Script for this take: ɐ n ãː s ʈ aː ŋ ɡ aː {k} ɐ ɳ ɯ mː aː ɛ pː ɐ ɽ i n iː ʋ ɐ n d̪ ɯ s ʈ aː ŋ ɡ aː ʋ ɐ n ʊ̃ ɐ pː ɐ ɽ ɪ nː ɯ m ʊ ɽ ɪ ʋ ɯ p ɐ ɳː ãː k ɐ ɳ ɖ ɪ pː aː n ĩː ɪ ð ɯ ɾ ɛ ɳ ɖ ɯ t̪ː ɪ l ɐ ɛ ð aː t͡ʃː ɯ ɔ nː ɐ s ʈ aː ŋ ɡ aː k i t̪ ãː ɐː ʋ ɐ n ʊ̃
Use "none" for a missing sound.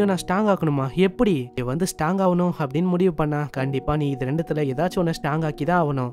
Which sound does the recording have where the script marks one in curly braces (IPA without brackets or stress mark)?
k